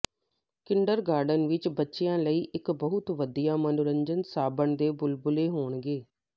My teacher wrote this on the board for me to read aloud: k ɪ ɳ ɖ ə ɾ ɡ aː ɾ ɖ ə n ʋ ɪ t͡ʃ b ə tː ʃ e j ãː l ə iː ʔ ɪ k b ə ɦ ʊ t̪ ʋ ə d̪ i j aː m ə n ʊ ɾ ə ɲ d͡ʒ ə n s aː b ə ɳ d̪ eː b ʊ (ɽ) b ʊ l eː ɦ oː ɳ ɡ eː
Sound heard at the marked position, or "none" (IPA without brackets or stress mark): l